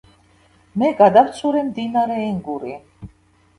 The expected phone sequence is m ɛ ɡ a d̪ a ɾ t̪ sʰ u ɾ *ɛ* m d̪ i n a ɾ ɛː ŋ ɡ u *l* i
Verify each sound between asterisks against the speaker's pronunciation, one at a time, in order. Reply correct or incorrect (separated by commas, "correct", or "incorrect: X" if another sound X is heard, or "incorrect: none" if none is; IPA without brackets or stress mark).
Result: correct, incorrect: ɾ